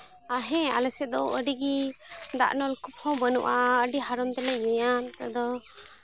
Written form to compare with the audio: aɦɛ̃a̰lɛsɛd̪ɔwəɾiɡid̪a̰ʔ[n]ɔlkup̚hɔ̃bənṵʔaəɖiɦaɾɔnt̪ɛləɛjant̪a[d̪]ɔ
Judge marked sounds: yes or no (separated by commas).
yes, yes